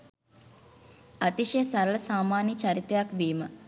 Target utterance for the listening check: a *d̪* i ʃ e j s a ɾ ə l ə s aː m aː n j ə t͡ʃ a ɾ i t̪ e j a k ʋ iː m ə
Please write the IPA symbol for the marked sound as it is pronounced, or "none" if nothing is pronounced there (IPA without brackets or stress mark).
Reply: t̪